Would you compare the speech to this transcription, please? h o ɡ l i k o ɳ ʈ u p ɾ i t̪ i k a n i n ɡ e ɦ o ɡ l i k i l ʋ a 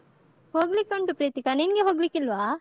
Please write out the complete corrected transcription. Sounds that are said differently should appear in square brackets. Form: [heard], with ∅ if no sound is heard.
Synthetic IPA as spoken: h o ɡ l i k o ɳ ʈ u p ɾ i t̪ i k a n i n ɡ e ɦ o ɡ l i k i l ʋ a